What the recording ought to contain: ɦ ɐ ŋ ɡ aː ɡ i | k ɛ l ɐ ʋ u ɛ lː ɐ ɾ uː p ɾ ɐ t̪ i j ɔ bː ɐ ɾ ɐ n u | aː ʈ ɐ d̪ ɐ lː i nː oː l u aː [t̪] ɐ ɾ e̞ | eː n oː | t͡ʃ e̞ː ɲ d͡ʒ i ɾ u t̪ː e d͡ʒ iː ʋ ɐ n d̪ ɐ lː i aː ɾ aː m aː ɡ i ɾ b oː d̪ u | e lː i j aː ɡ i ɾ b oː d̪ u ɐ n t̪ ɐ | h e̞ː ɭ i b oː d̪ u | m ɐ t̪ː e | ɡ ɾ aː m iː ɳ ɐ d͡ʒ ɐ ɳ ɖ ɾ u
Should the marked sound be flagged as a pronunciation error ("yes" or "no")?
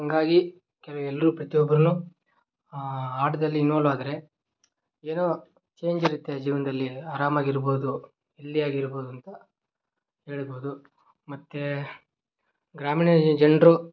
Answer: yes